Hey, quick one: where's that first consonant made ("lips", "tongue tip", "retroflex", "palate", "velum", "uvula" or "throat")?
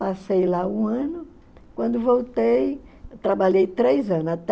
tongue tip